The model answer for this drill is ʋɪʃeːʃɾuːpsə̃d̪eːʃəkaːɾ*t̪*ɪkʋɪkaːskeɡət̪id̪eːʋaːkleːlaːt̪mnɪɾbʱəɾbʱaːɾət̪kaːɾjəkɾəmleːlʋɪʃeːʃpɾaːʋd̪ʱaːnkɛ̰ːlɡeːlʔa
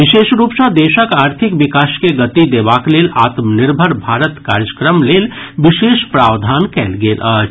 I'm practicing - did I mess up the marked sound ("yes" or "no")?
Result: yes